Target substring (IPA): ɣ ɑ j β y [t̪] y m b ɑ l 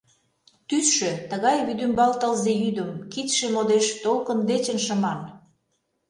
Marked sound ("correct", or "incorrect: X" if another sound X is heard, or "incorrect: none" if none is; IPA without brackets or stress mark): incorrect: d̪